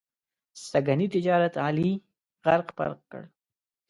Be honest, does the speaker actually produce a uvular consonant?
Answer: yes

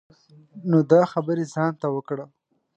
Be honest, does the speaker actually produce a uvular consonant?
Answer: no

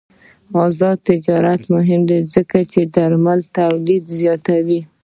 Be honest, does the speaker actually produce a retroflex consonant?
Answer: no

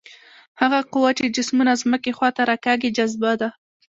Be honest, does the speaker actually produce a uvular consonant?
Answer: yes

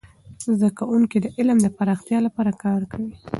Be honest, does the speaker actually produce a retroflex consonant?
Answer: no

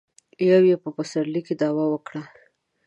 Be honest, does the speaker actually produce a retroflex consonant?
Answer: yes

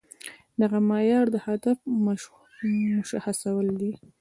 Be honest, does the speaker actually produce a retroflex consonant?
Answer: no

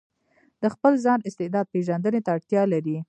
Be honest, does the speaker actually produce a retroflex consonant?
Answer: yes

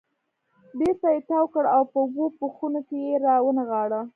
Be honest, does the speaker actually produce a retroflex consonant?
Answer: yes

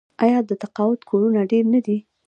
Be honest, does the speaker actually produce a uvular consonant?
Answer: yes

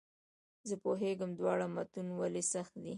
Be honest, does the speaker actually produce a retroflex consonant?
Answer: yes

